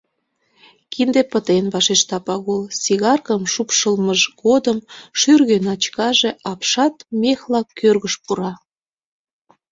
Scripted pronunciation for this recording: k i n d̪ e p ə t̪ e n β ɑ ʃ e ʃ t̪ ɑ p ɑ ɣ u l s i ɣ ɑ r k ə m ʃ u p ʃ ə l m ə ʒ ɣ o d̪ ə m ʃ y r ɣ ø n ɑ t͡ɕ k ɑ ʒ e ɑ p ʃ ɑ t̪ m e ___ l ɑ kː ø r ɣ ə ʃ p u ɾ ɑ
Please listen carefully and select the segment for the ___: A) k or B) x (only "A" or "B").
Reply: B